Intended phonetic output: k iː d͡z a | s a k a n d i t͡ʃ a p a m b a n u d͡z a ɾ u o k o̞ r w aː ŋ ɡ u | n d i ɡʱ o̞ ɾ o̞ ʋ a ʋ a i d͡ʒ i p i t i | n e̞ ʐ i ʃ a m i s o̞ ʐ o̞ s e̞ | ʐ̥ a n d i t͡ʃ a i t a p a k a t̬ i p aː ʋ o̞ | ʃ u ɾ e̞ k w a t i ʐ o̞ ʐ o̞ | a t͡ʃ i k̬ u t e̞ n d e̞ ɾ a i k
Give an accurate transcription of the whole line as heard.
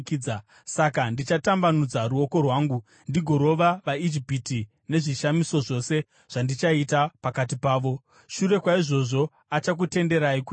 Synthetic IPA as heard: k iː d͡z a | s a k a n d i t͡ʃ a t a m b a n u d͡z a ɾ u o k o̞ r w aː ŋ ɡ u | n d i ɡʱ o̞ ɾ o̞ ʋ a ʋ a i d͡ʒ i p i t i | n e̞ ʐ i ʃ a m i s o̞ ʐ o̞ s e̞ | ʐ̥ a n d i t͡ʃ a i t a p a k a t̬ i p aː ʋ o̞ | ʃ u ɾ e̞ k w a i ʐ o̞ ʐ o̞ | a t͡ʃ a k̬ u t e̞ n d e̞ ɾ a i k